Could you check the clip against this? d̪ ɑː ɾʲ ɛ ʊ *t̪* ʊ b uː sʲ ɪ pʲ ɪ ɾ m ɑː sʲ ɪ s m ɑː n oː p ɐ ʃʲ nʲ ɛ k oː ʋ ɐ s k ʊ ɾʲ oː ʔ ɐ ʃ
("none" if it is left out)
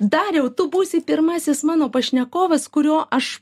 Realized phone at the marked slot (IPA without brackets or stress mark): t̪